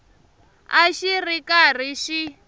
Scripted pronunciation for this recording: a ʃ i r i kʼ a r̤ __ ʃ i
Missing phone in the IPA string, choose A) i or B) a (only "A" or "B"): A